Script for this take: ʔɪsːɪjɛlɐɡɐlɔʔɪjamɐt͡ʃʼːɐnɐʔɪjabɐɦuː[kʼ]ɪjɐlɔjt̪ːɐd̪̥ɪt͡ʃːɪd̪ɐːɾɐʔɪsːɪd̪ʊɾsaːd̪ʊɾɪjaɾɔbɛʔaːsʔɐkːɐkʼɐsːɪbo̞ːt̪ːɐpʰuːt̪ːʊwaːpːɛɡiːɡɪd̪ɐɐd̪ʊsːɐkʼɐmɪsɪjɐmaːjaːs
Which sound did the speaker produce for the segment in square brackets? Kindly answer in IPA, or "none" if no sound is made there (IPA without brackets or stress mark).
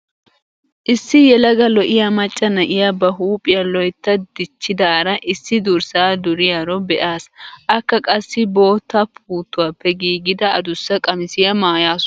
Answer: pʼ